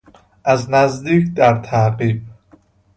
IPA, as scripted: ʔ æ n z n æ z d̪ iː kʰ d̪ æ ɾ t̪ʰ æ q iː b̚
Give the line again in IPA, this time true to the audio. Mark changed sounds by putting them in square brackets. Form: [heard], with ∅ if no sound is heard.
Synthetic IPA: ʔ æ [∅] z n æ z d̪ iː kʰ d̪ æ ɾ t̪ʰ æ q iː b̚